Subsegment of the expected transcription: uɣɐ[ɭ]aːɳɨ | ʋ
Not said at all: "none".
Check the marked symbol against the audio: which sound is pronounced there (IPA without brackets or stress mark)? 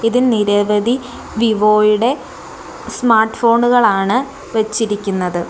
ɭ